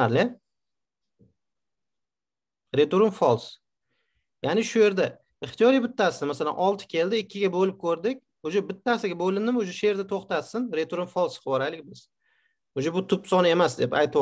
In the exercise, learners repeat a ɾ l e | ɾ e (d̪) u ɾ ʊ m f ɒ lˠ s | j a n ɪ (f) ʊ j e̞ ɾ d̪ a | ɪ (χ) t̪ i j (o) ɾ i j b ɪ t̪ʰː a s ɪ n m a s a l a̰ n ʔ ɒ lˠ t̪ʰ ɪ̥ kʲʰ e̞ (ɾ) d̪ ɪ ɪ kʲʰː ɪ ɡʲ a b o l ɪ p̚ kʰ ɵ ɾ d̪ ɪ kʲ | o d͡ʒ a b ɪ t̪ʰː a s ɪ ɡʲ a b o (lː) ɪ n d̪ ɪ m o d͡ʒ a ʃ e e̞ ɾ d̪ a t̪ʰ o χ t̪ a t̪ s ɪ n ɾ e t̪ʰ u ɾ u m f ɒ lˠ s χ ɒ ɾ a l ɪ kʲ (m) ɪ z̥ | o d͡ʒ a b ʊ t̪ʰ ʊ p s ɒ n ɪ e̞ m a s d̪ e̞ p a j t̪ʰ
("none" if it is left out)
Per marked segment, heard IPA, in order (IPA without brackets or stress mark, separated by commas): t̪, ʃ, χ, ɒ, l, l, b